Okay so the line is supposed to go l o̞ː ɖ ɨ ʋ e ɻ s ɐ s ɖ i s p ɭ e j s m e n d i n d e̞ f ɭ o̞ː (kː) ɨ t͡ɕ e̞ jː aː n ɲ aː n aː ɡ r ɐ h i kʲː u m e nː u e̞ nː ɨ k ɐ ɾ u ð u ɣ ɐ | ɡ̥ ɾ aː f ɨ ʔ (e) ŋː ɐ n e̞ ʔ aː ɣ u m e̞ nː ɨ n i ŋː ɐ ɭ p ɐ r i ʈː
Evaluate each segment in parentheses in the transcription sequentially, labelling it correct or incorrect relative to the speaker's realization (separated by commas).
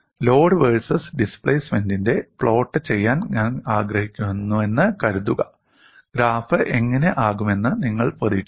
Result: incorrect, correct